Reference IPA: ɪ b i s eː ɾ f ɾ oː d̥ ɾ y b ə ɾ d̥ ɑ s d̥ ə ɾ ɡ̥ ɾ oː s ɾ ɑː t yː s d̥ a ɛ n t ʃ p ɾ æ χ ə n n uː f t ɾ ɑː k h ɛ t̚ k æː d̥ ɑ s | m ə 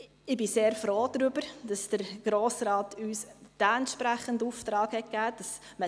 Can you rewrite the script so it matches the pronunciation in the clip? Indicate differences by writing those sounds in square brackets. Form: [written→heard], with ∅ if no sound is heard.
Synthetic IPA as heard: ɪ b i s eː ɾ f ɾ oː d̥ ɾ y b ə ɾ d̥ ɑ s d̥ ə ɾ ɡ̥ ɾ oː s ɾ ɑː t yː s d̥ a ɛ n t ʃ p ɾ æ χ ə n [n→d] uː f t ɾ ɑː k h ɛ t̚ k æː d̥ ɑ s | m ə